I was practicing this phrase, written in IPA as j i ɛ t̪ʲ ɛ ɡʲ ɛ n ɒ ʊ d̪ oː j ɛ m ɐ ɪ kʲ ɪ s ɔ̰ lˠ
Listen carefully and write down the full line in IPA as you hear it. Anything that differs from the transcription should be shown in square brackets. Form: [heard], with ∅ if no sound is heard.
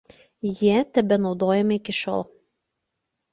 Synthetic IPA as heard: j i ɛ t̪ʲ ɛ [bʲ] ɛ n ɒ ʊ d̪ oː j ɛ m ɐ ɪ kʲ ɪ [ʃ] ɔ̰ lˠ